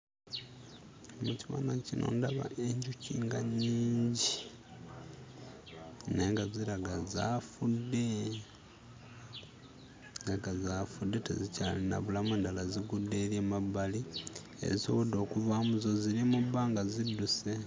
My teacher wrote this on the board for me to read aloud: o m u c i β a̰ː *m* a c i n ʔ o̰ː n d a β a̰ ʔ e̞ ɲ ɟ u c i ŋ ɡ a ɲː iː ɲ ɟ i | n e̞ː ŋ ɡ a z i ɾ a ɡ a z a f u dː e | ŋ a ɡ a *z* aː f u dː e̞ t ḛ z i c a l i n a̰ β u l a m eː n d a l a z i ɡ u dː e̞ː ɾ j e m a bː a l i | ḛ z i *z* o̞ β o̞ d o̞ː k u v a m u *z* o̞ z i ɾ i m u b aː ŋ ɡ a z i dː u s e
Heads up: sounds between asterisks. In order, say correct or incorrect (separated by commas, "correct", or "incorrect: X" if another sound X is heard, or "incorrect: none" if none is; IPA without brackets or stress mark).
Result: incorrect: n, correct, incorrect: s, correct